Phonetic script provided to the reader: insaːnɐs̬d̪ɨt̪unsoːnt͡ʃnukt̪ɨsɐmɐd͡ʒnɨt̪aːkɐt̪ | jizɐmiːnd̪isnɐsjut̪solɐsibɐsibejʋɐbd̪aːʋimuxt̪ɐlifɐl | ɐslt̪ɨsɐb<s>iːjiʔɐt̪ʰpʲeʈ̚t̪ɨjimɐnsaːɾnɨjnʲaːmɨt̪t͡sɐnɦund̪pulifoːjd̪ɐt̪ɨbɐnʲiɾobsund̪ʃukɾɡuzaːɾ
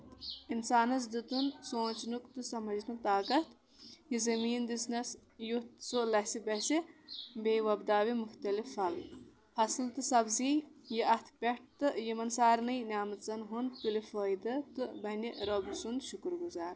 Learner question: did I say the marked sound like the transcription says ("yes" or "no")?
no